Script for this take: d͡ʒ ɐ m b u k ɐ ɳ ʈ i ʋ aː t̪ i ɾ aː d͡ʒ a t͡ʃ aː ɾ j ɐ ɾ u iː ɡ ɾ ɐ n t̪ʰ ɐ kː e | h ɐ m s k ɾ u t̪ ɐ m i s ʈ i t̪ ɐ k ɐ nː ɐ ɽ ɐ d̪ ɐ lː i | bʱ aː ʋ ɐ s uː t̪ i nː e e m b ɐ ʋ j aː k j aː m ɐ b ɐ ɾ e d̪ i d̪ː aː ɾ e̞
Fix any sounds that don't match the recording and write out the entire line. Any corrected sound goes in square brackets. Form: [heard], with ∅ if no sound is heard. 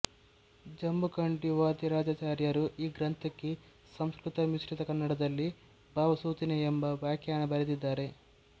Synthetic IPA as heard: d͡ʒ ɐ m b u k ɐ ɳ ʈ i ʋ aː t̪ i ɾ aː d͡ʒ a t͡ʃ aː ɾ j ɐ ɾ u iː ɡ ɾ ɐ n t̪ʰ ɐ kː e | [s] ɐ m s k ɾ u t̪ ɐ m i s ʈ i t̪ ɐ k ɐ nː ɐ ɽ ɐ d̪ ɐ lː i | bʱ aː ʋ ɐ s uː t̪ i [n] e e m b ɐ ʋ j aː k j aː [ɳ] ɐ b ɐ ɾ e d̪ i d̪ː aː ɾ e̞